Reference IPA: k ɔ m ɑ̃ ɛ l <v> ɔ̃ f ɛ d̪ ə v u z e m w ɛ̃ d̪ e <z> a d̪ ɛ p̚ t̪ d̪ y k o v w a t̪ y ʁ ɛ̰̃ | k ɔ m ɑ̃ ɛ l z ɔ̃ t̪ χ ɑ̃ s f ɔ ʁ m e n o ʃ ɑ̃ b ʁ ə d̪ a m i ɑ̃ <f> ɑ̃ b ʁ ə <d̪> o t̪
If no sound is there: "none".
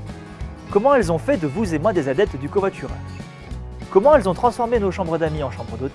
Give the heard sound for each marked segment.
z, z, ʃ, d̪

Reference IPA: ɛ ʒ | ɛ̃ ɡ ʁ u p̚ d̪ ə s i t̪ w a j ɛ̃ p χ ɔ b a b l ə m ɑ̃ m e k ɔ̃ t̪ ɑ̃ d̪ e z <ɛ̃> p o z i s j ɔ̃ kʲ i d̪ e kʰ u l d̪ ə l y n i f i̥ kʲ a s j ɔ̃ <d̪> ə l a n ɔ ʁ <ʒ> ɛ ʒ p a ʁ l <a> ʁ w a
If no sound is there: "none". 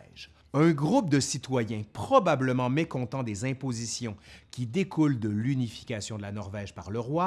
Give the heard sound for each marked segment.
ɛ̃, d̪, v, ə

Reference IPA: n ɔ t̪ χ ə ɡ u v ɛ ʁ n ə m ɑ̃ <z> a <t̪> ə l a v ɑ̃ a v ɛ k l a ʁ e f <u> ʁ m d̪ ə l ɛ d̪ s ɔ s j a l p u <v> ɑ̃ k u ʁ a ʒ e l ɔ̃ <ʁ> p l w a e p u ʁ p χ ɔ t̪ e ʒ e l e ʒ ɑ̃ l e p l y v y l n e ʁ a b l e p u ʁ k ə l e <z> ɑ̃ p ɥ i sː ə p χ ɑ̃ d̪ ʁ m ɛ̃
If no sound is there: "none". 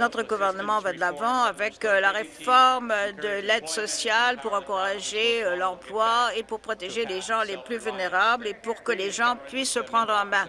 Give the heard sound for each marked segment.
v, d̪, ɔ, ʁ, ʁ, ʒ

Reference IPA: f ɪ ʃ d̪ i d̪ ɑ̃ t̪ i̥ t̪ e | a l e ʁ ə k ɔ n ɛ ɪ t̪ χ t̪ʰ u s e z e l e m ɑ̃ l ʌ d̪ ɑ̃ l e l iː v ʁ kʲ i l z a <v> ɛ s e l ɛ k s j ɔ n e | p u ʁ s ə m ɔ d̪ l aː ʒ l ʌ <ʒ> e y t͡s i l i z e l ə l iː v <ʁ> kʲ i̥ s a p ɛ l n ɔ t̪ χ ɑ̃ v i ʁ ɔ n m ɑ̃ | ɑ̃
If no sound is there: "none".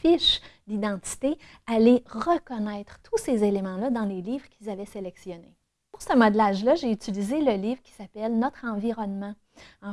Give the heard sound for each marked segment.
v, ʒ, ʁ

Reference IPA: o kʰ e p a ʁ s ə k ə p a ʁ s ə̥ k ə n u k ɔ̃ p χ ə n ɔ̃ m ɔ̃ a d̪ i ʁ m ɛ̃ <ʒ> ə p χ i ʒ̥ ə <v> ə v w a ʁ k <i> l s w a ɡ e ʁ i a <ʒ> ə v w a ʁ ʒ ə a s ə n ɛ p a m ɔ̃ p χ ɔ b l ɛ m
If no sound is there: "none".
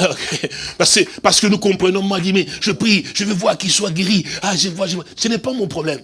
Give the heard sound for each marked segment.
ʒ, v, i, ʒ

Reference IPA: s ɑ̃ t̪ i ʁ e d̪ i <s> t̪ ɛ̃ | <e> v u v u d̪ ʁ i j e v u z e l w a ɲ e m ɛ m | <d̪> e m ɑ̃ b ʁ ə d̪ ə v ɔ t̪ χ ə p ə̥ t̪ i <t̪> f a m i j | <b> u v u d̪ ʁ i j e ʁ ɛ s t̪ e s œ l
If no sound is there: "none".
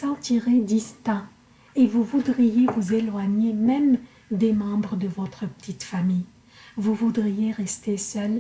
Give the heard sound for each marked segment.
s, e, d̪, t̪, v

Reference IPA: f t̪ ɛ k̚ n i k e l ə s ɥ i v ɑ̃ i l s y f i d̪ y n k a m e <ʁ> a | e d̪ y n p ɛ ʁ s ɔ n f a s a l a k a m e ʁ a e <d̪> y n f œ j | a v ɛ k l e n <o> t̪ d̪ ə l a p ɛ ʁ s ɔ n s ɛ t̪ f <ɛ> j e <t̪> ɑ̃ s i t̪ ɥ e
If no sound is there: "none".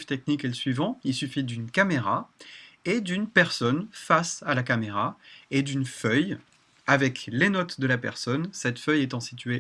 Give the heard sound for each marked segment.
ʁ, d̪, ɔ, œ, t̪

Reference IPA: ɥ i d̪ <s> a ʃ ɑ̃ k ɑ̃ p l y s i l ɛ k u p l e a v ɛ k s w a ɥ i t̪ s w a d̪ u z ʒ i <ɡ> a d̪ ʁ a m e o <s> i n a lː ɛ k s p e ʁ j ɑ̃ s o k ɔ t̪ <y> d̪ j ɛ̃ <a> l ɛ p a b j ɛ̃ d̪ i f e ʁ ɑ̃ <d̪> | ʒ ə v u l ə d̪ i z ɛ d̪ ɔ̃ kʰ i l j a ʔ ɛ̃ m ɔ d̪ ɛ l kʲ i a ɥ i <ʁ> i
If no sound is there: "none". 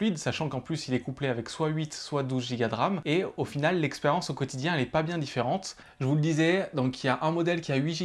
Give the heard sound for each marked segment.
s, ɡ, f, i, ɛ, t̪, ʒ

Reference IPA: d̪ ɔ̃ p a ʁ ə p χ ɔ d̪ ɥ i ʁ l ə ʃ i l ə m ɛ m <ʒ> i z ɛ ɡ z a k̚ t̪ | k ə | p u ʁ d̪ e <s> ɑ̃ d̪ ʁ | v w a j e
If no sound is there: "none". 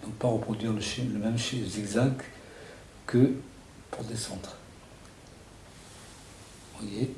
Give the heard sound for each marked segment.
ʃ, s

